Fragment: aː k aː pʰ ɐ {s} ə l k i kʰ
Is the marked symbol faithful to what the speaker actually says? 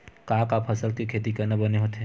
yes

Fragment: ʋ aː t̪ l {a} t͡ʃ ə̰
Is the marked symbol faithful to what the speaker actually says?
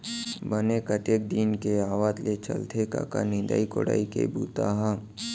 no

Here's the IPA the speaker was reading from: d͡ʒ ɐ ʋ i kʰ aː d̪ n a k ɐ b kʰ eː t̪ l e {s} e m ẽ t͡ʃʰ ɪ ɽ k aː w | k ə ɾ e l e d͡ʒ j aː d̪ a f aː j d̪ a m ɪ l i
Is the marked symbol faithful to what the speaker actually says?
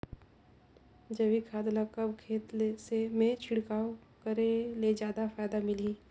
yes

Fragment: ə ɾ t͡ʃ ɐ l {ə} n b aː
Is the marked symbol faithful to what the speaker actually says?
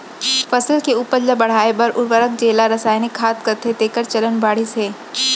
yes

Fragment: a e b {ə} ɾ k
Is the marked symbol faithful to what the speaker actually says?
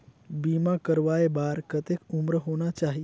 no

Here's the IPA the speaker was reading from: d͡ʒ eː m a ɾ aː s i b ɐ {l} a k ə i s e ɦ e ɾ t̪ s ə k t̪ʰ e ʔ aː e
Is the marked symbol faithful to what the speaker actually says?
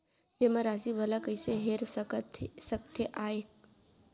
yes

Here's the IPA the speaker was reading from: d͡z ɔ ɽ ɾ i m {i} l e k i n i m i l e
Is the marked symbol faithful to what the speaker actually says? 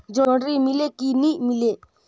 yes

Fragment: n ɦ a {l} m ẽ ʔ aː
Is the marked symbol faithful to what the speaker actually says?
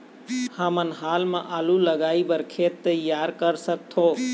yes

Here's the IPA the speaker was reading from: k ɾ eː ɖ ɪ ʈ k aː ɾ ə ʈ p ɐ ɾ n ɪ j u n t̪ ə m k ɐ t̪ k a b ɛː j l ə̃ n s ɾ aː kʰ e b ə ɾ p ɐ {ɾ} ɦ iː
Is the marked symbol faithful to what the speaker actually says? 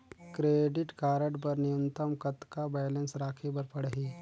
no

